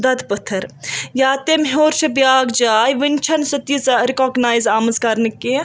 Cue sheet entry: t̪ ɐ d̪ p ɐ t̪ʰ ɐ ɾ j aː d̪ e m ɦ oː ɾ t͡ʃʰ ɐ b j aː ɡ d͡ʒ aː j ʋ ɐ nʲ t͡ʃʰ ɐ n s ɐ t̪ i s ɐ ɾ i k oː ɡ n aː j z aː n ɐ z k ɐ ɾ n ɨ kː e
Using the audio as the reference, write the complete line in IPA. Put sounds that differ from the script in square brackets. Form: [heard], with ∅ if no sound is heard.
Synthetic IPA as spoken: [d̪] ɐ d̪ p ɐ t̪ʰ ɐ ɾ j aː [t̪] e m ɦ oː ɾ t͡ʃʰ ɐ b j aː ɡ d͡ʒ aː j ʋ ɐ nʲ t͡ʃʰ ɐ n s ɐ t̪ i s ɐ ɾ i k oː ɡ n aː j z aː [m] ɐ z k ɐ ɾ n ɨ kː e